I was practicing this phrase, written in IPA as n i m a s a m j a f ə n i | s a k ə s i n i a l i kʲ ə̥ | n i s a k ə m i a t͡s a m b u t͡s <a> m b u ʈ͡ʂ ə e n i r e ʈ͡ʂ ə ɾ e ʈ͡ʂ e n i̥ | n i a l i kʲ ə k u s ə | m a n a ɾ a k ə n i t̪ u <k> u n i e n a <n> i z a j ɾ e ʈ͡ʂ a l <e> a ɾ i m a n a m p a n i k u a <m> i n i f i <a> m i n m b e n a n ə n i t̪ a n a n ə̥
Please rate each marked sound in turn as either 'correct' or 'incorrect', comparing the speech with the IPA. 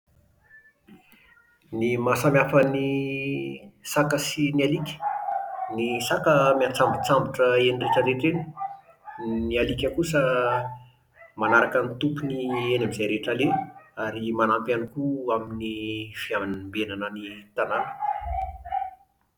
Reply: correct, incorrect: p, incorrect: m, correct, correct, correct

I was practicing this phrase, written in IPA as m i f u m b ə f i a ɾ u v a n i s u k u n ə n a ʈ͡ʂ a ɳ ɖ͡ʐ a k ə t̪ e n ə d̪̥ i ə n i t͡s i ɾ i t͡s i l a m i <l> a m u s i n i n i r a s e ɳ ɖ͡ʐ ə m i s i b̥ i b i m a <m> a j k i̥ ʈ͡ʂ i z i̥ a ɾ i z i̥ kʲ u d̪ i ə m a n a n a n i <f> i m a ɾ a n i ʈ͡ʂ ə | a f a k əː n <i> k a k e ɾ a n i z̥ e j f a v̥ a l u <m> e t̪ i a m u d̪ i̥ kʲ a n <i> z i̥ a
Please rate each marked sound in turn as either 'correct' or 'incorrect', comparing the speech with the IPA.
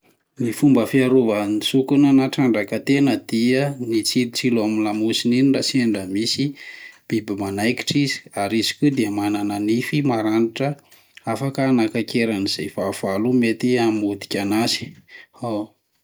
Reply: correct, incorrect: n, correct, incorrect: a, correct, incorrect: a

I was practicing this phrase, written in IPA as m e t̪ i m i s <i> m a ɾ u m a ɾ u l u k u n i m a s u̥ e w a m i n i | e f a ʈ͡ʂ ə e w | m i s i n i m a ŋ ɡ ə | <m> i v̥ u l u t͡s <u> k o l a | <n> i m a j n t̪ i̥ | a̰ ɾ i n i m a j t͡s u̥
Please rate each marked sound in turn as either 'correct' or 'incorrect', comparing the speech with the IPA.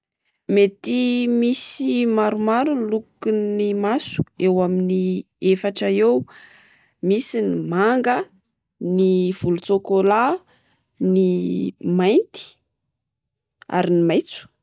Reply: correct, incorrect: n, incorrect: o, correct

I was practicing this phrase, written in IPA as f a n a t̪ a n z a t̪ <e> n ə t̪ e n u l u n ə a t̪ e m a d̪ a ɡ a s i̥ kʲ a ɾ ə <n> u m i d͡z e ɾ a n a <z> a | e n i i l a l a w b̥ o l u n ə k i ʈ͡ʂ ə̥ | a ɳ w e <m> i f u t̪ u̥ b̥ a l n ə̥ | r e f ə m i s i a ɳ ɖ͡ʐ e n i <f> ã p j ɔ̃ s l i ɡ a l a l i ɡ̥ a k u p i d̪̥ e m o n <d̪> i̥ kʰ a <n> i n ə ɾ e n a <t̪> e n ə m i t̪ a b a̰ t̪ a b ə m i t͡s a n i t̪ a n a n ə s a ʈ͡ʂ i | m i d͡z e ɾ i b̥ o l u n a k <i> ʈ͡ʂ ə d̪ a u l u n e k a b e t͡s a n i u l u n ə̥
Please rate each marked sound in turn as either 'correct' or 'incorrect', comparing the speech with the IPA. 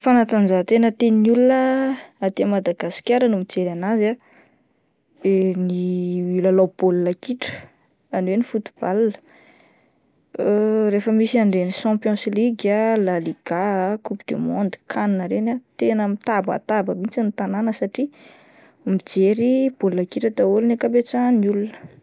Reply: correct, correct, correct, incorrect: n, incorrect: ʃ, correct, correct, correct, correct

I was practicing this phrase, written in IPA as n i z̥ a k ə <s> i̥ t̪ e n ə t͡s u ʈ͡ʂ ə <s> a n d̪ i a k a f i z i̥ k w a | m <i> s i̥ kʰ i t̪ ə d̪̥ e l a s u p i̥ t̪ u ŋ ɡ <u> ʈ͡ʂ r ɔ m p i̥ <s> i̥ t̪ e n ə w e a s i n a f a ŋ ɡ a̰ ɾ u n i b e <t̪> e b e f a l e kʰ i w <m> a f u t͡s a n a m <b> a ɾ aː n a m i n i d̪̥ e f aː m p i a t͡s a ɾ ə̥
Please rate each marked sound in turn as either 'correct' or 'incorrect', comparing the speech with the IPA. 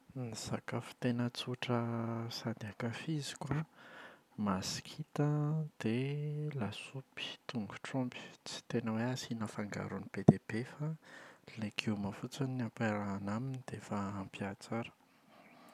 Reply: incorrect: f, correct, incorrect: a, correct, incorrect: t͡s, incorrect: d̪, correct, incorrect: p

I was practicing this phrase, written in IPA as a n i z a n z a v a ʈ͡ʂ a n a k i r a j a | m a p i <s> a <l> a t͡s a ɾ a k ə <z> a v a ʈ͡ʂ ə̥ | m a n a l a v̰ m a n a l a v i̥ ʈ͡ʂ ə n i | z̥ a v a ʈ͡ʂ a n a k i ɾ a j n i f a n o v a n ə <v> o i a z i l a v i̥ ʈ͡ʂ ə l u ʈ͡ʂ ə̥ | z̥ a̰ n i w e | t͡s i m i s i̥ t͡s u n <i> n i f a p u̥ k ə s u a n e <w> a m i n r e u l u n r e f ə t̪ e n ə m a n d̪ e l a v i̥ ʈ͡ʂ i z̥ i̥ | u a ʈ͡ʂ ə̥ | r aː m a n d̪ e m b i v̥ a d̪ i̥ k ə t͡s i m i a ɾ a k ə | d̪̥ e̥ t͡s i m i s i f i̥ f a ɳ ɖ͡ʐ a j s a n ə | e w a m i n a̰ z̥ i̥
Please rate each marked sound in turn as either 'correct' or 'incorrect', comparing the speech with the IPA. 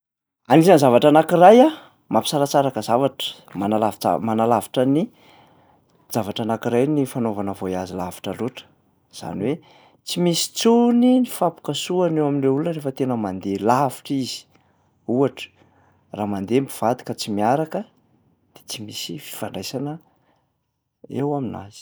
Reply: correct, incorrect: ɾ, correct, correct, correct, correct

